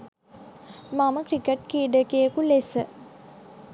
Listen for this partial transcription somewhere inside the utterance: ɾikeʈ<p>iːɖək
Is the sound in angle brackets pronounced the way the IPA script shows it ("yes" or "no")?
no